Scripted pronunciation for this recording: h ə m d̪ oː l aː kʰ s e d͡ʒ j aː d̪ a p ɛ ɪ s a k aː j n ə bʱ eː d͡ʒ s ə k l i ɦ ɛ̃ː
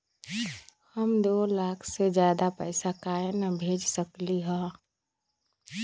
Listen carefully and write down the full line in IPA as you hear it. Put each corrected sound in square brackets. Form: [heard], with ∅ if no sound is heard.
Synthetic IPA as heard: h ə m d̪ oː l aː kʰ s e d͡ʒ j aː d̪ a p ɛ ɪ s a k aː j n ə bʱ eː d͡ʒ s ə k l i ɦ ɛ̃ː